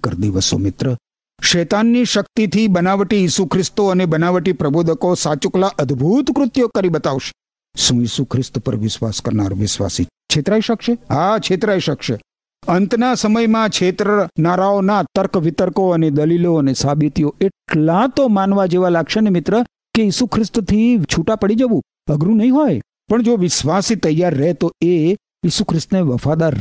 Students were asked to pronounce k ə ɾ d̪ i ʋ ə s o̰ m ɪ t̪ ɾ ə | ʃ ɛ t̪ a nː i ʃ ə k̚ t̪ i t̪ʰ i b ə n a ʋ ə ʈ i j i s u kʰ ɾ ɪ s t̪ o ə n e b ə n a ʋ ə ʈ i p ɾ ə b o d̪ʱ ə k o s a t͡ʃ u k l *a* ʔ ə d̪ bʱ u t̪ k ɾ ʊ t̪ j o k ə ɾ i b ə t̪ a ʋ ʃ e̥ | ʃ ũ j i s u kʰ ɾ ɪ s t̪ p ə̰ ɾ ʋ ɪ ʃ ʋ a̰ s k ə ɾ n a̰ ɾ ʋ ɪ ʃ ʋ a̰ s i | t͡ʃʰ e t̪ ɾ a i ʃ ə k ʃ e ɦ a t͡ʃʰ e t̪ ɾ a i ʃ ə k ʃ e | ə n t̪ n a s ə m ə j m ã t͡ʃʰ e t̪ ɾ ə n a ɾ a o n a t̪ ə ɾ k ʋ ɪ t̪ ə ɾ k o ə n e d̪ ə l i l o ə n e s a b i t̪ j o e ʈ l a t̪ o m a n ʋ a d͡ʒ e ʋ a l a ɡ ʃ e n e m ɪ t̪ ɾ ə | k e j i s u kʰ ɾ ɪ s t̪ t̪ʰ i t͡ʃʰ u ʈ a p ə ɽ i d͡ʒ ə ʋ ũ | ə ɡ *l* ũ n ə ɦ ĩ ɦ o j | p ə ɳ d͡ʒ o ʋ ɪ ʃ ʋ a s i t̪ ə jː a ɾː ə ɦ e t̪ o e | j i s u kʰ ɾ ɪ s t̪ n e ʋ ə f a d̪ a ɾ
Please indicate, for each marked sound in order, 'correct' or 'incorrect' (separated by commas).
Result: correct, incorrect